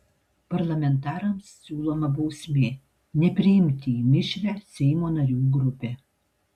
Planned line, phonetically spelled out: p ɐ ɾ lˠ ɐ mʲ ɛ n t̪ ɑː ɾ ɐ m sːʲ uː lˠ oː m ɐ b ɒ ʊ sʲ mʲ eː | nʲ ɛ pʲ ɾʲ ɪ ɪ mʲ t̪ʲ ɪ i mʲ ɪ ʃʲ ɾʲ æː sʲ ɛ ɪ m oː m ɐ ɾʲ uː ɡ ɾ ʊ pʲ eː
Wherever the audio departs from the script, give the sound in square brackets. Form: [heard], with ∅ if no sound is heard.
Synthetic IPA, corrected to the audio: p ɐ ɾ lˠ ɐ mʲ ɛ n t̪ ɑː ɾ ɐ m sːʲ uː lˠ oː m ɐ b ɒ ʊ sʲ mʲ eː | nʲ ɛ pʲ ɾʲ ɪ ɪ mʲ t̪ʲ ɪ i mʲ ɪ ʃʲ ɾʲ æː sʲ ɛ ɪ m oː [n] ɐ ɾʲ uː ɡ ɾ ʊ pʲ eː